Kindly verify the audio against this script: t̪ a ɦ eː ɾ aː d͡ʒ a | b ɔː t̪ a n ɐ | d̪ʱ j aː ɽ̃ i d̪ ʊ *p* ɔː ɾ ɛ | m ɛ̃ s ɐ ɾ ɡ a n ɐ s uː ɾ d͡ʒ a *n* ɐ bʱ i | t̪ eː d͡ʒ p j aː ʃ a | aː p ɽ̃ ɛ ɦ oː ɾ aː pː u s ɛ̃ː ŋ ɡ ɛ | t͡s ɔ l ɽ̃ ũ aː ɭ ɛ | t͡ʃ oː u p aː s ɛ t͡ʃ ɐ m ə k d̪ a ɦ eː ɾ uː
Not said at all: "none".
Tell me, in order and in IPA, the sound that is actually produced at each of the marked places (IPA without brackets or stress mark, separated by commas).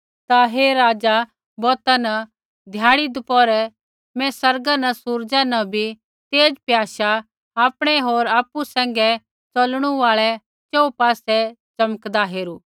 p, n